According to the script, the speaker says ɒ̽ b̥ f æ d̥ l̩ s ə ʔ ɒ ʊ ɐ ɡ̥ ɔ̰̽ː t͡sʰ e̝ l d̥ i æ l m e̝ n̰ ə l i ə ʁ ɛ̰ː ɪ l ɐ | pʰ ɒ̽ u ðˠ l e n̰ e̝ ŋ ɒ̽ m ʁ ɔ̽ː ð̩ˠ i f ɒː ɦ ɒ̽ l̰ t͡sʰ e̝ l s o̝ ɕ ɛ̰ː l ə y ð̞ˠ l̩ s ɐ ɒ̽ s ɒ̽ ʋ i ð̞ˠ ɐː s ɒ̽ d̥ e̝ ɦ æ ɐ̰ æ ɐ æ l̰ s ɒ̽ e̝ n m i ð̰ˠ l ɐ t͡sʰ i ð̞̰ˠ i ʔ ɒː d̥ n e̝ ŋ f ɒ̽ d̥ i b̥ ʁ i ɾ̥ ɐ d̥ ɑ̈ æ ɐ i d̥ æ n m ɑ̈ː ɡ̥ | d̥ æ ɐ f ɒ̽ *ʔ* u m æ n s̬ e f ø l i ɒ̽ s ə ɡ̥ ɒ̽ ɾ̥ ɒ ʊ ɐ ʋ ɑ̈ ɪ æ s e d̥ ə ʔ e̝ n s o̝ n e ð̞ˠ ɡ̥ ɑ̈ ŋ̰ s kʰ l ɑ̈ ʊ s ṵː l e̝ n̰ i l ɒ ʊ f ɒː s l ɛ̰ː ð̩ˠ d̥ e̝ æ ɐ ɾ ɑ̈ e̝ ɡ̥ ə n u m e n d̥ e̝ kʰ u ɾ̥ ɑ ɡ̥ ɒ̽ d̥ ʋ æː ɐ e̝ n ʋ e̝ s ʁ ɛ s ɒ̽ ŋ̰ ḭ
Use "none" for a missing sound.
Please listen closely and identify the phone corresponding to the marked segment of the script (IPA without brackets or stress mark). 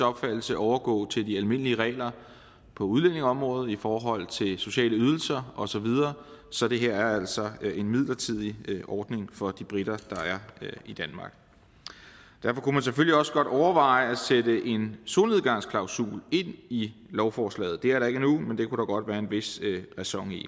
k